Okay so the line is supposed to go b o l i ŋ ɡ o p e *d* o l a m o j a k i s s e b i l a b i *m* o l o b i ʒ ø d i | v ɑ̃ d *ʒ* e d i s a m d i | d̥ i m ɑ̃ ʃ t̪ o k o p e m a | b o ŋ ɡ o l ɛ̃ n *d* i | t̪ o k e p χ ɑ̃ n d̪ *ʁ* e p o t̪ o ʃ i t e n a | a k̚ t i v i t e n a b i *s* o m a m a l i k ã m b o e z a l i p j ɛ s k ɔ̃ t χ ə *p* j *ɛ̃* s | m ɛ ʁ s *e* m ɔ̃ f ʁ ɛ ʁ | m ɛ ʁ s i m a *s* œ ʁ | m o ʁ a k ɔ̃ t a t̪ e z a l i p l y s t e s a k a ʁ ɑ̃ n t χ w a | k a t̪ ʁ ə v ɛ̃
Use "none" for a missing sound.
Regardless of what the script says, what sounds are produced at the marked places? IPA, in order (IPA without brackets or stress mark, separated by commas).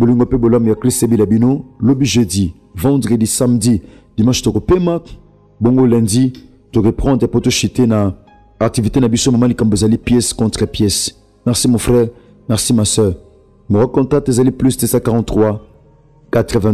b, n, ʁ, d, ʁ, s, p, ɛ, i, s